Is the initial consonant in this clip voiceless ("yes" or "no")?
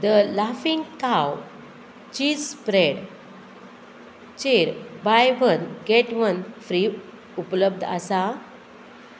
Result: no